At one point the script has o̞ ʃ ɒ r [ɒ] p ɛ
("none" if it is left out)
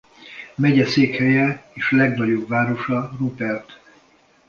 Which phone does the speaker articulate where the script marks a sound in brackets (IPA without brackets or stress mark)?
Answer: u